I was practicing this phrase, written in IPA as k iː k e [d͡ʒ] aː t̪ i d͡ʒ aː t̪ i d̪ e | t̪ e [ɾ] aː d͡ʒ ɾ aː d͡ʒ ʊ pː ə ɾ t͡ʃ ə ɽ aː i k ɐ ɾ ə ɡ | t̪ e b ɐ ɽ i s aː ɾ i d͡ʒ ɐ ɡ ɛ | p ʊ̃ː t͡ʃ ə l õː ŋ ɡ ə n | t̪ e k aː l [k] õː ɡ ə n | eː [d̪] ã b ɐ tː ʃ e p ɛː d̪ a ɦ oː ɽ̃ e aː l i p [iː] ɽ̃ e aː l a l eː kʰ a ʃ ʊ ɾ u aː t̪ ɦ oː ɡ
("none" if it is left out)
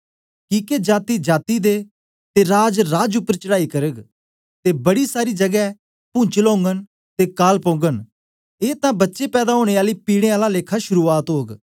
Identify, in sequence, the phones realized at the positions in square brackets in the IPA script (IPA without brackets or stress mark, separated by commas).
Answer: d͡ʒ, ɾ, p, t̪, iː